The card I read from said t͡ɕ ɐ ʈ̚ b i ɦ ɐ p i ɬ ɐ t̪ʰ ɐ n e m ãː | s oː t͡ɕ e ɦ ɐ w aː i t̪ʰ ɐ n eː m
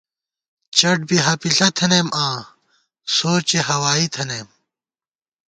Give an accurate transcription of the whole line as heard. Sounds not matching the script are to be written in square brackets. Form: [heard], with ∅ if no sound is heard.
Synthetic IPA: t͡ɕ ɐ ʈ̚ b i ɦ ɐ p i ɬ ɐ t̪ʰ ɐ n e m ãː | s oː t͡ɕ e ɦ ɐ w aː i t̪ʰ ɐ n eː m